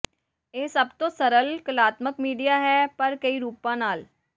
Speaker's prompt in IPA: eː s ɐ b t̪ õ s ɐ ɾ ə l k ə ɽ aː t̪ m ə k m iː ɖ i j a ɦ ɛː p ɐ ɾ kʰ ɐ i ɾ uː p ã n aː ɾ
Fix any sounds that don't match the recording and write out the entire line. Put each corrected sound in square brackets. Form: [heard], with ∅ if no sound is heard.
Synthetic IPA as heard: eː s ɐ b t̪ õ s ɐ ɾ ə l k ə [l] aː t̪ m ə k m iː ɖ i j a ɦ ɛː p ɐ ɾ [k] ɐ i ɾ uː p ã n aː [l]